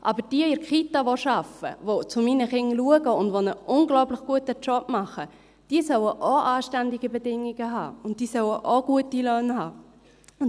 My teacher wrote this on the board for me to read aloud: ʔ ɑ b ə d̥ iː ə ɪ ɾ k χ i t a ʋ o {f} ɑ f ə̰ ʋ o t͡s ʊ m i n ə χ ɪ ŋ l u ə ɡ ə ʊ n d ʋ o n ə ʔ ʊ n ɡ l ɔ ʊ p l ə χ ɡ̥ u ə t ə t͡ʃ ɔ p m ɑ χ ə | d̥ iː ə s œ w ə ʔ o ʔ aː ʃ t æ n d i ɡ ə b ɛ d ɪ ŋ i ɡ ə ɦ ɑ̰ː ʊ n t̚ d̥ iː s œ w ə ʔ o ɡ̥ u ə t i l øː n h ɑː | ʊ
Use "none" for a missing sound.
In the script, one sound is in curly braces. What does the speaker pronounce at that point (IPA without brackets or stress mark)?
ʃ